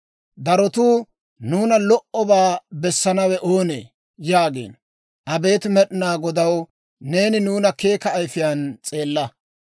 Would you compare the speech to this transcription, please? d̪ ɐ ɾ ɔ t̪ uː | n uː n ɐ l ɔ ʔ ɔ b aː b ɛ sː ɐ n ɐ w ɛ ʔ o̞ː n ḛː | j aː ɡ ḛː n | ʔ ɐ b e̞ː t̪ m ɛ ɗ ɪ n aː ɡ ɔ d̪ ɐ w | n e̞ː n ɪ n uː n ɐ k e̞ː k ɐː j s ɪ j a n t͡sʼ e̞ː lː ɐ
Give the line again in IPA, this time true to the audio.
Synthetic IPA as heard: d̪ ɐ ɾ ɔ t̪ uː | n uː n ɐ l ɔ ʔ ɔ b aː b ɛ sː ɐ n ɐ w ɛ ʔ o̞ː n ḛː | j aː ɡ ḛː n | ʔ ɐ b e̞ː t̪ m ɛ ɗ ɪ n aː ɡ ɔ d̪ ɐ w | n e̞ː n ɪ n uː n ɐ k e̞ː k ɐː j f ɪ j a n t͡sʼ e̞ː lː ɐ